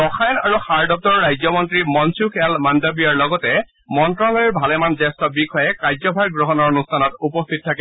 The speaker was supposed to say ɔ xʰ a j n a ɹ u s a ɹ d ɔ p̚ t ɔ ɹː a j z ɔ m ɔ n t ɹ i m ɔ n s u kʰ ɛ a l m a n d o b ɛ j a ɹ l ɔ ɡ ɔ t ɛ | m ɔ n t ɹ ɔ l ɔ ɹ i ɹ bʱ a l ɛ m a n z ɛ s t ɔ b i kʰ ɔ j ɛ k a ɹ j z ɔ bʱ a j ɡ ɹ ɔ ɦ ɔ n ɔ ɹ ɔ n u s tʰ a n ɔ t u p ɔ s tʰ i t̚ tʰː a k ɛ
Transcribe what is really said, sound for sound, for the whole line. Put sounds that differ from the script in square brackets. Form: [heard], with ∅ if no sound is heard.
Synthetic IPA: ɔ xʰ a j n a ɹ u [x] a ɹ d ɔ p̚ t ɔ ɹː a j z ɔ m ɔ n t ɹ i m ɔ n s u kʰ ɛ a l m a n d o b [i] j a ɹ l ɔ ɡ ɔ t ɛ | m ɔ n t ɹ ɔ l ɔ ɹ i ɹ bʱ a l ɛ m a n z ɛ s t ɔ b i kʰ ɔ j ɛ k a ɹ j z ɔ bʱ a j ɡ ɹ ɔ ɦ ɔ n ɔ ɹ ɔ n u s tʰ a n ɔ t u p ɔ s tʰ i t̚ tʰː a k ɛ